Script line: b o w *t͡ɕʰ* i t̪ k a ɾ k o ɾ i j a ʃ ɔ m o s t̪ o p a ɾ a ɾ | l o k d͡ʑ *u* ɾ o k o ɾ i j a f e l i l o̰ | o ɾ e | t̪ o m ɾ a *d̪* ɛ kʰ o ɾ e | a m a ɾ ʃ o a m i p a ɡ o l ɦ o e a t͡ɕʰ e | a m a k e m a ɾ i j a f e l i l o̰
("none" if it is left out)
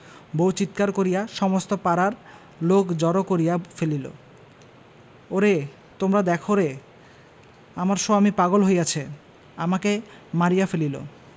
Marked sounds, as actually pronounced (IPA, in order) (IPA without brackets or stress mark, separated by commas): t͡ɕ, ɔ, d̪